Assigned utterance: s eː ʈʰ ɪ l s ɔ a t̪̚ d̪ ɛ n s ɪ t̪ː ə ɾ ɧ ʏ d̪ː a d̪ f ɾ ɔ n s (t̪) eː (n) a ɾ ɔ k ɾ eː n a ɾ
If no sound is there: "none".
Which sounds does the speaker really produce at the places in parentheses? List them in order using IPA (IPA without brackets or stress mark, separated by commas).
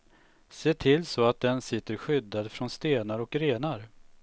t̪, n